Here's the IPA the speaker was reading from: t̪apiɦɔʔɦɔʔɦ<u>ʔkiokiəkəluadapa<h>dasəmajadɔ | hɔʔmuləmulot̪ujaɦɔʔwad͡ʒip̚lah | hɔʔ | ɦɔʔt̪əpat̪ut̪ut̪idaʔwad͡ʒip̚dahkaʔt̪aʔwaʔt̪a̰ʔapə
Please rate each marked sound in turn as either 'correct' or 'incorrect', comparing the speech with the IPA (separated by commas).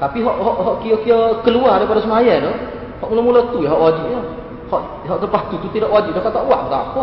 incorrect, incorrect